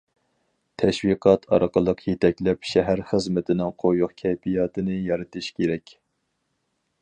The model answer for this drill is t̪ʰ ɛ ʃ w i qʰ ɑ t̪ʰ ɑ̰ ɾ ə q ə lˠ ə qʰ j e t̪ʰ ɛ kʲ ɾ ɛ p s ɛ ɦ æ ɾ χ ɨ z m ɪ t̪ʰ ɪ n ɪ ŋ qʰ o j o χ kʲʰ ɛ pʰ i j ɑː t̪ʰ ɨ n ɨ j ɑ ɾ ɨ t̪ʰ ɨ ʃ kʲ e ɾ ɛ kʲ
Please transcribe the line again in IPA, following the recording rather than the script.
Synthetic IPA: t̪ʰ ɛ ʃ w i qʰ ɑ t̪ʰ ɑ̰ ɾ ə q ə lˠ ə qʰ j e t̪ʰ ɛ kʲ l ɛ p ʃ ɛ ɦ æ ɾ χ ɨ z m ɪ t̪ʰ ɪ n ɪ ŋ qʰ o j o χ kʲʰ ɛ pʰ i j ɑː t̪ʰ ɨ n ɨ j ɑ ɾ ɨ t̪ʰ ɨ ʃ kʲ e ɾ ɛ kʲ